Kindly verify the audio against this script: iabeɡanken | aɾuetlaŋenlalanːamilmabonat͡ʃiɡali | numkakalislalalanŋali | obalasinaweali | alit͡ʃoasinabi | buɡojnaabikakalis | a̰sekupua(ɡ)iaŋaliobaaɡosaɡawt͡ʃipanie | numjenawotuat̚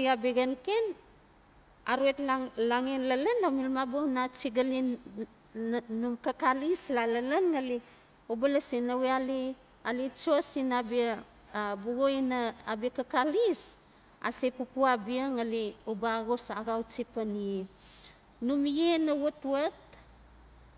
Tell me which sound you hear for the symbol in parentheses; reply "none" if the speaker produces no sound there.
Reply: b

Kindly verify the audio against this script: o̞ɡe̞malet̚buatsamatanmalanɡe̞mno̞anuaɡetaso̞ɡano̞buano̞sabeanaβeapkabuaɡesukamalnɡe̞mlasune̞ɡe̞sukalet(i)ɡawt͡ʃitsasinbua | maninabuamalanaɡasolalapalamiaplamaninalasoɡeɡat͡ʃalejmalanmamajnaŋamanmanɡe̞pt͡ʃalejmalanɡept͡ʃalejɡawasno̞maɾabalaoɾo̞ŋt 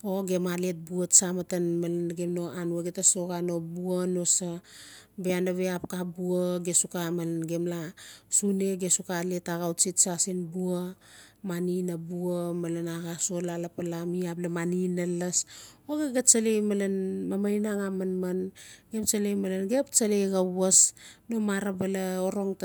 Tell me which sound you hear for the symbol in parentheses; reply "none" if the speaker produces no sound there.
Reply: a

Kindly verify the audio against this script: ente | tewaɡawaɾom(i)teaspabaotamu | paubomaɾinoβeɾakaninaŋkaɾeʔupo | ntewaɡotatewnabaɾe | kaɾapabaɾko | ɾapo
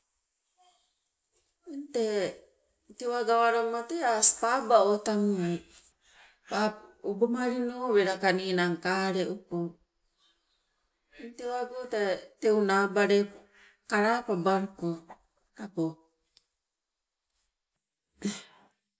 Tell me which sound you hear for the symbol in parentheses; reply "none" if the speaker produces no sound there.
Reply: a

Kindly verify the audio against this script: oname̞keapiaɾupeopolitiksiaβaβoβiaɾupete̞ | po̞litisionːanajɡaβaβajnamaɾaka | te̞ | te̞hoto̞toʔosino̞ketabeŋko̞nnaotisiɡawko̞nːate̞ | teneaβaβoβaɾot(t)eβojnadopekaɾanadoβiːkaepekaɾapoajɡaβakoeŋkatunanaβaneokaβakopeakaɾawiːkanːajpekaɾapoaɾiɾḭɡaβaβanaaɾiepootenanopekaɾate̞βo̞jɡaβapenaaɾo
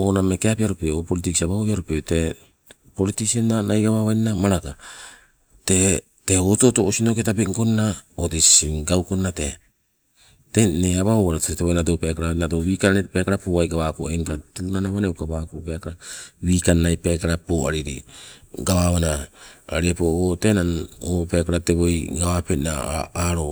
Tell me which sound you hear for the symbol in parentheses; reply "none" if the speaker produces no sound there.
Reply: t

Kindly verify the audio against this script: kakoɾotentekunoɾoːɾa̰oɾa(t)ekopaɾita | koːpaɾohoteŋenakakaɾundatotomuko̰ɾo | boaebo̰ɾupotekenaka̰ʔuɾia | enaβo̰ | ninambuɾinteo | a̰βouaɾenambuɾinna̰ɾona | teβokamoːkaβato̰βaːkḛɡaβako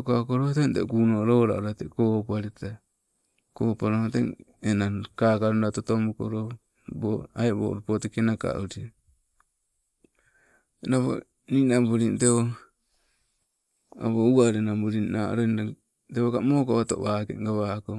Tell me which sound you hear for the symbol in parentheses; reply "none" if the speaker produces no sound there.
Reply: t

